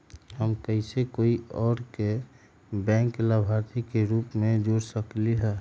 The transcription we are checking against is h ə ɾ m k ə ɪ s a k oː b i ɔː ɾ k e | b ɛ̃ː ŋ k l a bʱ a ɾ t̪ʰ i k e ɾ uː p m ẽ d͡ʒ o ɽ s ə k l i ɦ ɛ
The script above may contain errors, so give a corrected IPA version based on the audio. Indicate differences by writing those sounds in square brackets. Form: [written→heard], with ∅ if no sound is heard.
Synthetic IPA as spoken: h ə [ɾ→∅] m k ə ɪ s [a→e] k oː [b→∅] i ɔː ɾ k e | b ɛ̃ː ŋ k l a bʱ a ɾ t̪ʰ i k e ɾ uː p m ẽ d͡ʒ o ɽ s ə k l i ɦ ɛ